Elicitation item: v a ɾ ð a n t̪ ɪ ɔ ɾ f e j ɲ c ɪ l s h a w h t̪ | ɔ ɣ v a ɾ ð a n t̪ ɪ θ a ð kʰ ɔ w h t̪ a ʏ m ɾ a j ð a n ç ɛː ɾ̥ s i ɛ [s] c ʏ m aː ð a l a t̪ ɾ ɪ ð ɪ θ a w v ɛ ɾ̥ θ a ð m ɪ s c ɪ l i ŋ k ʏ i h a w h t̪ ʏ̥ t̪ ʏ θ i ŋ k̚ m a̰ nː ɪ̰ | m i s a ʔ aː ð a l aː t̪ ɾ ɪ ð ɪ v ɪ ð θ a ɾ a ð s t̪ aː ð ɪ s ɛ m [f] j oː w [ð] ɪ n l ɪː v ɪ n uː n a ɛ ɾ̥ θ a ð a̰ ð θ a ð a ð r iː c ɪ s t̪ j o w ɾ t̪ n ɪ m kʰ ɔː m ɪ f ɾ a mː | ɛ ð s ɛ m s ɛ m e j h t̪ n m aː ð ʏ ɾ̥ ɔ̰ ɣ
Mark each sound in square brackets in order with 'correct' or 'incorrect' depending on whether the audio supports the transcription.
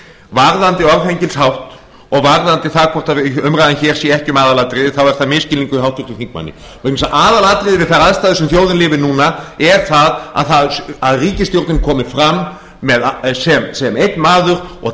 incorrect: h, incorrect: θ, correct

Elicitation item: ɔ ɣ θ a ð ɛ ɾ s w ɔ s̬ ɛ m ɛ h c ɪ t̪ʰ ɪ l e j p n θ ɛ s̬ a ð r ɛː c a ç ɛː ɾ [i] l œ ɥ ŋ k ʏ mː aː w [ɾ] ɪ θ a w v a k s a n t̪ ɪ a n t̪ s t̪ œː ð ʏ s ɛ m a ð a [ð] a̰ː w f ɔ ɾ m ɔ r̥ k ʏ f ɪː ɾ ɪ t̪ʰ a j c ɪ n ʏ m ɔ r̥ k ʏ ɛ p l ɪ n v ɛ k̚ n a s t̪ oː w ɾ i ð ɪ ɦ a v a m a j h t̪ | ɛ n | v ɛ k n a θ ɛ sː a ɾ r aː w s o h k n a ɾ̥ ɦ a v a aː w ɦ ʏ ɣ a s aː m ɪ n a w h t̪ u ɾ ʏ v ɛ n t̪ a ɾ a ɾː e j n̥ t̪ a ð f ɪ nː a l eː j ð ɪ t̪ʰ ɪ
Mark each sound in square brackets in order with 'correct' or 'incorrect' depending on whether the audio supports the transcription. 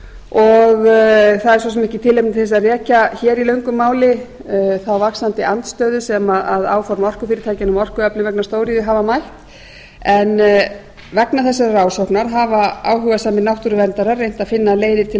correct, incorrect: l, correct

